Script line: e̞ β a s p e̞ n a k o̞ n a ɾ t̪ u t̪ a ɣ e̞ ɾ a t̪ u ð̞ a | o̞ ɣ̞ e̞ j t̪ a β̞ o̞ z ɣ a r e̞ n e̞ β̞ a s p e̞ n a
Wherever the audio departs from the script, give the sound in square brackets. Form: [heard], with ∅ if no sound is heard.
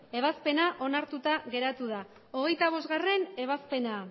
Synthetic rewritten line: e̞ β a s p e̞ n a [ʔ] o̞ n a ɾ t̪ u t̪ a ɣ e̞ ɾ a t̪ u ð̞ a | o̞ ɣ̞ e̞ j t̪ a β̞ o̞ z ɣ a r e̞ n e̞ β̞ a s p e̞ n a

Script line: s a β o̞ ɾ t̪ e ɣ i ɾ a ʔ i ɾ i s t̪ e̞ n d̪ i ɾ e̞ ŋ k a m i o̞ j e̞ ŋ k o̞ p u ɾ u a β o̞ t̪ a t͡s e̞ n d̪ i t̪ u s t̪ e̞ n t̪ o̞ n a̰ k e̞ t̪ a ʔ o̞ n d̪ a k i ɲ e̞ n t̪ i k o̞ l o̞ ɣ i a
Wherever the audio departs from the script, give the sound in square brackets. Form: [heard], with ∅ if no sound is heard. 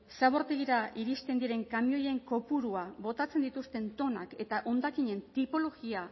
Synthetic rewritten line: s a β o̞ ɾ t̪ e ɣ i ɾ a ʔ i ɾ i s t̪ e̞ n d̪ i ɾ e̞ ŋ k a m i o̞ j e̞ ŋ k o̞ p u ɾ u a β o̞ t̪ a t͡s e̞ n d̪ i t̪ u s t̪ e̞ n t̪ o̞ n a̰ k e̞ t̪ a ʔ o̞ n d̪ a k i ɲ e̞ n t̪ i [p] o̞ l o̞ ɣ i a

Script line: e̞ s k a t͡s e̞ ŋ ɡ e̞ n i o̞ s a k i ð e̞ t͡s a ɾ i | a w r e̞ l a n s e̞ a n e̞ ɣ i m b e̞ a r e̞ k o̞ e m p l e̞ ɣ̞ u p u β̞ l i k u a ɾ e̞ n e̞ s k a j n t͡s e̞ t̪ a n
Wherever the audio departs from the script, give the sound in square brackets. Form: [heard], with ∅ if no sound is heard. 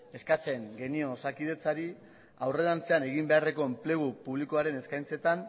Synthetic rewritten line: e̞ s k a t͡s e̞ ŋ ɡ e̞ n i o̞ s a k i ð e̞ t͡s a ɾ i | a w r e̞ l a n [t͡s] e̞ a n e̞ ɣ i m b e̞ a r e̞ k o̞ e m p l e̞ ɣ̞ u p u β̞ l i k [o] a ɾ e̞ n e̞ s k a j n t͡s e̞ t̪ a n

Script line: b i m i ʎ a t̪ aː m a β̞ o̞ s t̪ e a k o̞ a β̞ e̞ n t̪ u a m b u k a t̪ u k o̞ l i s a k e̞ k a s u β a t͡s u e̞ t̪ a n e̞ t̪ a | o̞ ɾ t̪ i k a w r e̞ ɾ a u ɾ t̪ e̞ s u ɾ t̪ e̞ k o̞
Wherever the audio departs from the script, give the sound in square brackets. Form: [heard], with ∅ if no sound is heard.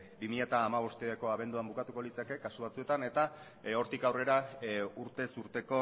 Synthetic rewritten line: b i m i ʎ a t̪ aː m a β̞ o̞ s t̪ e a k o̞ a β̞ e̞ n [d̪] u a m b u k a t̪ u k o̞ l i [t͡s] a k e̞ k a s u β a t͡s u e̞ t̪ a n e̞ t̪ a | o̞ ɾ t̪ i k a w r e̞ ɾ a u ɾ t̪ e̞ s u ɾ t̪ e̞ k o̞

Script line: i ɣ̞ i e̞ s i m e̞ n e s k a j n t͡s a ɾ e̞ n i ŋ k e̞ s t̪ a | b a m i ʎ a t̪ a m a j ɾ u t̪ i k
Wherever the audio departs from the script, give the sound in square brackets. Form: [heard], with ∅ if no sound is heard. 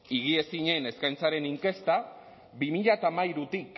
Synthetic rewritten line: i ɣ̞ i e̞ s i [ɲ] e̞ n e s k a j n t͡s a ɾ e̞ n i ŋ k e̞ s t̪ a | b [i] m i ʎ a t̪ a m a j ɾ u t̪ i k

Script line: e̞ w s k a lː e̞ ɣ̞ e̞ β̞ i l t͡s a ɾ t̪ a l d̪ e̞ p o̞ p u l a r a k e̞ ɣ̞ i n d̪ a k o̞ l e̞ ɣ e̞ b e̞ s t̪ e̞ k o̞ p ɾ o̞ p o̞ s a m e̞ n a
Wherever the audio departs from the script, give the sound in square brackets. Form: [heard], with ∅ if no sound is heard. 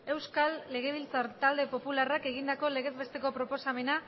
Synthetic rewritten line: e̞ w s k a lː e̞ ɣ̞ e̞ β̞ i l t͡s a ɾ t̪ a l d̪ e̞ p o̞ p u l a r a k e̞ ɣ̞ i n d̪ a k o̞ l e̞ ɣ e̞ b e̞ s t̪ e̞ k o̞ p ɾ o̞ p o̞ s a m e̞ n a

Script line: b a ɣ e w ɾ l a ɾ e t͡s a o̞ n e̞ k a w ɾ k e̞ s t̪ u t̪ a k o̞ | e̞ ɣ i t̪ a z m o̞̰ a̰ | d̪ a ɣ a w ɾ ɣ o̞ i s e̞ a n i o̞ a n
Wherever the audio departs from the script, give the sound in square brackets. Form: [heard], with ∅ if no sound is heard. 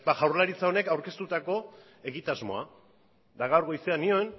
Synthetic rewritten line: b a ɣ [a] w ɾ l a ɾ [i] t͡s a o̞ n e̞ k a w ɾ k e̞ s t̪ u t̪ a k o̞ | e̞ ɣ i t̪ a z m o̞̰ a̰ | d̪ a ɣ a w ɾ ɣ o̞ [j] s e̞ a n i o̞ [e] n

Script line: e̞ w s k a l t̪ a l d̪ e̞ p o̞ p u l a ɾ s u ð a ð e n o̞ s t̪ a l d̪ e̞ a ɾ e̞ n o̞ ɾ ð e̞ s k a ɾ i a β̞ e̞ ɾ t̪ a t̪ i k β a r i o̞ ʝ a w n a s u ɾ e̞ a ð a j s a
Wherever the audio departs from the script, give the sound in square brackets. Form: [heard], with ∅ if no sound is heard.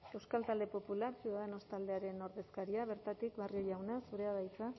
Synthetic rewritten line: e̞ w s k a l t̪ a l d̪ e̞ p o̞ p u l a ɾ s u ð a ð e n o̞ s t̪ a l d̪ e̞ a ɾ e̞ n o̞ ɾ ð e̞ s k a ɾ i a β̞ e̞ ɾ t̪ a t̪ i k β a r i o̞ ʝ a w n a s u ɾ e̞ a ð a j [t͡s] a

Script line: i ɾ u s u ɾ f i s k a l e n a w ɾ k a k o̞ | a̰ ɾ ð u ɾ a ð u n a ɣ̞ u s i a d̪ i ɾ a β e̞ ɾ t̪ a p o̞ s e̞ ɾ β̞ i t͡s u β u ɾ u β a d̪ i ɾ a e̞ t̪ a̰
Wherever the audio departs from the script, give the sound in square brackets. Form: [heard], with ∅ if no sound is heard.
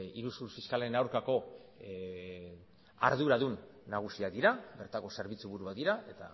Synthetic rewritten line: i ɾ u s u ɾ f i s k a l e n a w ɾ k a k o̞ | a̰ ɾ ð u ɾ a ð u [nː] a ɣ̞ u s i a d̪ i ɾ a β e̞ ɾ t̪ a [k] o̞ s e̞ ɾ β̞ i t͡s u β u ɾ u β a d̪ i ɾ a e̞ t̪ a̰

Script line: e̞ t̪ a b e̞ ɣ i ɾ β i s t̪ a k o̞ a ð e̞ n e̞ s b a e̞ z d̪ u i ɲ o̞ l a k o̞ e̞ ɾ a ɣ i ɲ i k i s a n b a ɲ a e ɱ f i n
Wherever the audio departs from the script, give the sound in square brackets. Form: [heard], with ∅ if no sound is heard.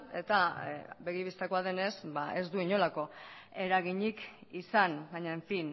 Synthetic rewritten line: e̞ t̪ a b e̞ ɣ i [∅] β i s t̪ a k o̞ a ð e̞ n e̞ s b a e̞ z d̪ u i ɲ o̞ l a k o̞ e̞ ɾ a ɣ i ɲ i k i s a n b a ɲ a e ɱ f i n

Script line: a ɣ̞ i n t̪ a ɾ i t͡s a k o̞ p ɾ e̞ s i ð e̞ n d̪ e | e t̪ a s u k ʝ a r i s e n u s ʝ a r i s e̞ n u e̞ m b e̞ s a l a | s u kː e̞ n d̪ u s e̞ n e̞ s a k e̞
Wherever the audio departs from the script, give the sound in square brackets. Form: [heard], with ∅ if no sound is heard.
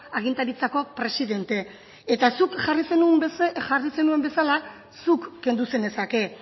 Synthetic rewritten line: a ɣ̞ i n t̪ a ɾ i t͡s a k o̞ p ɾ e̞ s i ð e̞ n [t̪] e | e t̪ a s u k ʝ a r i s e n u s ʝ a r i s e̞ n u e̞ m b e̞ s a l a | s u kː e̞ n d̪ u s e̞ n e̞ s a k e̞

